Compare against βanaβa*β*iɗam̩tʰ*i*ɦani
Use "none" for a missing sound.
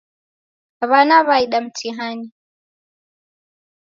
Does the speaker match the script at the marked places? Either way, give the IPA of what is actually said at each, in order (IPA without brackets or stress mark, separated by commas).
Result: none, i